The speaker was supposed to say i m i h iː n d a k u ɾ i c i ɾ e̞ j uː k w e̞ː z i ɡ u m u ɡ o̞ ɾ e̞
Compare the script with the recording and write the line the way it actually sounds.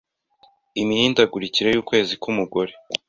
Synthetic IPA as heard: i m i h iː n d a ɡ u ɾ i c i ɾ e̞ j uː k w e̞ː z i k u m u ɡ o̞ ɾ e̞

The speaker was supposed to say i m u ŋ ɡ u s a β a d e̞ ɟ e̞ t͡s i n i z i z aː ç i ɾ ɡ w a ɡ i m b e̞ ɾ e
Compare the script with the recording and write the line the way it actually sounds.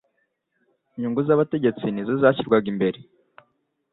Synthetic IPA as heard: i ɲ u ŋ ɡ u z a β a t e̞ ɟ e̞ t͡s i n i z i z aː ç i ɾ ɡ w a ɡ i m b e̞ ɾ e

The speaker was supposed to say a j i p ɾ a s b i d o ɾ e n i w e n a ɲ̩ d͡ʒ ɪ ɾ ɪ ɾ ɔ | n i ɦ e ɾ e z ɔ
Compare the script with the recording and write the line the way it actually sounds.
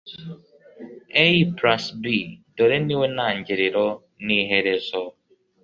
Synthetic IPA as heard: e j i p ɾ a s b i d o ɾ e n i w e n a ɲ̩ d͡ʒ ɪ ɾ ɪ ɾ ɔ | n i ɦ e ɾ e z ɔ

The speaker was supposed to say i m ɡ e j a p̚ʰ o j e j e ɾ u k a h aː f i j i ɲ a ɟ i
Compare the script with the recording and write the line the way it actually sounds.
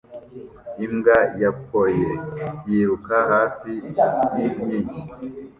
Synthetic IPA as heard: i m ɡ a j a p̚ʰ o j e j i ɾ u k a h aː f i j i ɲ i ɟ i

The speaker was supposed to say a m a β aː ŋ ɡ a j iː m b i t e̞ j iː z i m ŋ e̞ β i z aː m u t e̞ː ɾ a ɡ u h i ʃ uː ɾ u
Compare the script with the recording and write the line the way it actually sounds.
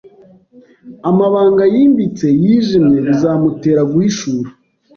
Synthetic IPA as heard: a m a β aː ŋ ɡ a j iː m b i t͡s e̞ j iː ʒ i m ɲ e̞ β i z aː m u t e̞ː ɾ a ɡ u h i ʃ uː ɾ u

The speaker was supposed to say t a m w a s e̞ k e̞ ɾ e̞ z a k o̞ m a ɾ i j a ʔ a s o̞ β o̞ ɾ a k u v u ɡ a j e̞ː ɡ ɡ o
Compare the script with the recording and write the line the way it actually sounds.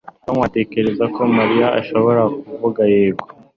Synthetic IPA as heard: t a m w a t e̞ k e̞ ɾ e̞ z a k o̞ m a ɾ i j a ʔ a ʃ o̞ β o̞ ɾ a k u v u ɡ a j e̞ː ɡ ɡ o

